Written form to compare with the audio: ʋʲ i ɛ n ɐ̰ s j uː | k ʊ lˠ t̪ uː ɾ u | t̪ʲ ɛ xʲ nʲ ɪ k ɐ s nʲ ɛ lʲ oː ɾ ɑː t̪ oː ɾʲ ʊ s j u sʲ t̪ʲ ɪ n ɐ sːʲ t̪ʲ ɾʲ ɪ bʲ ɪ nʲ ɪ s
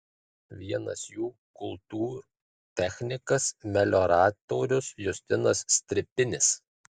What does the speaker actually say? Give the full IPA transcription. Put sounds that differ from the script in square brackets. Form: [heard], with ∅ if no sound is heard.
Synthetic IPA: ʋʲ i ɛ n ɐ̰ s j uː | k ʊ lˠ t̪ uː ɾ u | t̪ʲ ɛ xʲ nʲ ɪ k ɐ s [mʲ] ɛ lʲ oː ɾ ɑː t̪ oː ɾʲ ʊ s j [ʊ] sʲ t̪ʲ ɪ n ɐ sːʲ t̪ʲ ɾʲ ɪ [pʲ] ɪ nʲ ɪ s